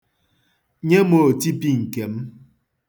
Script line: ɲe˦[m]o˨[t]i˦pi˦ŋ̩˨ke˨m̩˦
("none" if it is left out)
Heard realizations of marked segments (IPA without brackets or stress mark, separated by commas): m, t